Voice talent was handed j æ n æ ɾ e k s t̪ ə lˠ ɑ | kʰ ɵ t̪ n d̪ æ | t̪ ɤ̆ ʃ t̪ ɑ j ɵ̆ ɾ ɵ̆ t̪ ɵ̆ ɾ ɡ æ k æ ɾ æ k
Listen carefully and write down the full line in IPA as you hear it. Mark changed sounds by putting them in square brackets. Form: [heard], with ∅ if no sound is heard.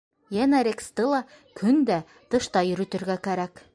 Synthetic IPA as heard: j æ n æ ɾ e k s t̪ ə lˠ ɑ | kʰ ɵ [∅] n d̪ æ | t̪ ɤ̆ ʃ t̪ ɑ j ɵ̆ ɾ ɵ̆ t̪ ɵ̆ ɾ ɡ æ k æ ɾ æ k

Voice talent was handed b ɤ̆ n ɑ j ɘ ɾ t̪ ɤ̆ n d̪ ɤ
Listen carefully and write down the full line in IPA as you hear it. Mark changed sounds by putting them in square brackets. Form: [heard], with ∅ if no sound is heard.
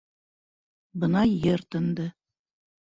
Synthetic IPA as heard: b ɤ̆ n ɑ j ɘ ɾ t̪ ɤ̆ n d̪ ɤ

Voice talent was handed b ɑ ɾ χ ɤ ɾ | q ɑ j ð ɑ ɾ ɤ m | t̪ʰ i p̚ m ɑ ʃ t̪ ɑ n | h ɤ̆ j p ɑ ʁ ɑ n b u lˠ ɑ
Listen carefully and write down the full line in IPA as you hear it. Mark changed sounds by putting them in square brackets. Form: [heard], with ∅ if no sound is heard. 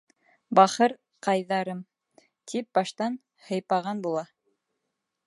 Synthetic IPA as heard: b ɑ [∅] χ ɤ ɾ | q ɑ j ð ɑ ɾ ɤ m | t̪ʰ i p̚ [b] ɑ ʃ t̪ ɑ n | h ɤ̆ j p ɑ ʁ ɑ n b u lˠ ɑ

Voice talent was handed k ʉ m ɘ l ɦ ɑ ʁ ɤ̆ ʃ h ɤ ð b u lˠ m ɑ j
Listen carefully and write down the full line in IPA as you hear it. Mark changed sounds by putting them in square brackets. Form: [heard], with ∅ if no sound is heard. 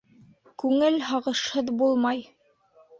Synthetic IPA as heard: k ʉ [ŋ] ɘ l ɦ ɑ ʁ ɤ̆ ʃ h ɤ ð b u lˠ m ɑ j

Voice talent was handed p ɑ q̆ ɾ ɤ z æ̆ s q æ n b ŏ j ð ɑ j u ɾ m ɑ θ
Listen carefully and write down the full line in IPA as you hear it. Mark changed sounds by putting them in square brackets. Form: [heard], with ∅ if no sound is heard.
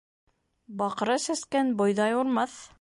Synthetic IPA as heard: [b] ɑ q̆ ɾ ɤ [s] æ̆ s [k] æ n b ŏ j ð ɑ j u ɾ m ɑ θ

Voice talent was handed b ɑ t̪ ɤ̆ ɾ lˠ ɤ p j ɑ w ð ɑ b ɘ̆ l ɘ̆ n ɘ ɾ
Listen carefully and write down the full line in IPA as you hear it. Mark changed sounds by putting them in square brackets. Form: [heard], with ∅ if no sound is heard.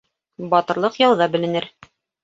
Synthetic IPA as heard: b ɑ t̪ ɤ̆ ɾ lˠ ɤ [q] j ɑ w ð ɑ b ɘ̆ l ɘ̆ n ɘ ɾ

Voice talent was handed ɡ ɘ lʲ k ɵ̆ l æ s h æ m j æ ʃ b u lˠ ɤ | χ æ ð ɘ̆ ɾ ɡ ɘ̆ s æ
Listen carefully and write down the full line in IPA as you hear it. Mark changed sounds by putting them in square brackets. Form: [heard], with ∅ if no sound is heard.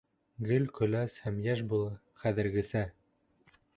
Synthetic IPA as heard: ɡ ɘ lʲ k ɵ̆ l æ s h æ m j æ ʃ b u lˠ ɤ | χ æ ð ɘ̆ ɾ ɡ ɘ̆ s æ

